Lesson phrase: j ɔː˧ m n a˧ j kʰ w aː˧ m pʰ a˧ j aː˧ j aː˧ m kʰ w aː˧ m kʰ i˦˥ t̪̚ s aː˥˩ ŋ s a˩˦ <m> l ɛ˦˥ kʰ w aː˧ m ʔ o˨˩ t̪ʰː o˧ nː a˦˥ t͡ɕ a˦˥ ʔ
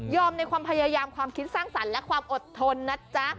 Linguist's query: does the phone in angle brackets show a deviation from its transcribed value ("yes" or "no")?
yes